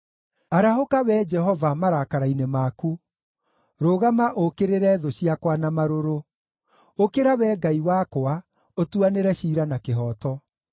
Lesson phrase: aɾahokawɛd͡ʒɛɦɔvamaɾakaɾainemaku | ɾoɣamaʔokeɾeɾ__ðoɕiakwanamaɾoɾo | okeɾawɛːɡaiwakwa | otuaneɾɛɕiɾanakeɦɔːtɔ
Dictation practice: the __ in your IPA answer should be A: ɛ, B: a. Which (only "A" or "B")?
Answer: A